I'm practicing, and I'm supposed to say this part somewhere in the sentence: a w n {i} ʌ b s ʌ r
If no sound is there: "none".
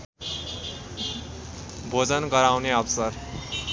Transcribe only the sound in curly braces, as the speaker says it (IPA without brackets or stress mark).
e